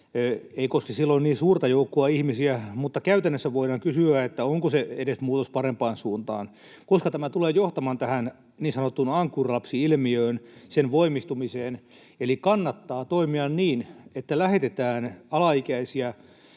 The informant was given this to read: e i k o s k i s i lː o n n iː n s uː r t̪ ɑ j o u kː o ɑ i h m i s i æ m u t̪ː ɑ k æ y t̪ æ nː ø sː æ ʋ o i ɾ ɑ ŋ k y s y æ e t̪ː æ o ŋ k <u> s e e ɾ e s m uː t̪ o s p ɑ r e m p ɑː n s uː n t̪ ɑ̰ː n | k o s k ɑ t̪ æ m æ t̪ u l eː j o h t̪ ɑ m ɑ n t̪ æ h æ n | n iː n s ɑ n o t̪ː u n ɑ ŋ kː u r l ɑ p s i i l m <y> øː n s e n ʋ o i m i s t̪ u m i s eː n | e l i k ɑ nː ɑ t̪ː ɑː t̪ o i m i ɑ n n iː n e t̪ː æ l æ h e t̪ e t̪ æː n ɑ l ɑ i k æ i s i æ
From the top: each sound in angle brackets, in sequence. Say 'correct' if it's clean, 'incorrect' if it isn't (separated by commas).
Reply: incorrect, incorrect